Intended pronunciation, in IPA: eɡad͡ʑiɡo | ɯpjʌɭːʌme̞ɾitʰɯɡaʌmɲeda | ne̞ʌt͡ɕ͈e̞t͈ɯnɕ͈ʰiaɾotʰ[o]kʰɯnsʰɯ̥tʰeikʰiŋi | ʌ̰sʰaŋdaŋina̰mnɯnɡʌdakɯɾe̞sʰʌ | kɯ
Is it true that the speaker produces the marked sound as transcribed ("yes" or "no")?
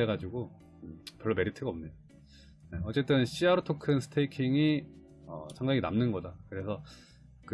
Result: yes